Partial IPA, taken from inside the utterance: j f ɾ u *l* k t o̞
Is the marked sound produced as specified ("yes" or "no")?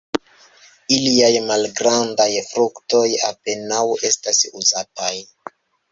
no